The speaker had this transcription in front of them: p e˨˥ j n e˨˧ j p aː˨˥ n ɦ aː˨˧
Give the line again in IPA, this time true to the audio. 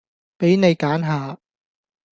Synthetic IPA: p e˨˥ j n e˨˧ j k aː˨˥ n ɦ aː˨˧